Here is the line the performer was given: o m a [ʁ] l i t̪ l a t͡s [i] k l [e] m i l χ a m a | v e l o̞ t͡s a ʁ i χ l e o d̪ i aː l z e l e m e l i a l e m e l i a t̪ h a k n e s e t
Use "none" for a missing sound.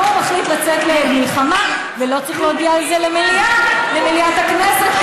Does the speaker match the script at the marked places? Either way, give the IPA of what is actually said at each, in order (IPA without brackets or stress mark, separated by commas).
χ, e, e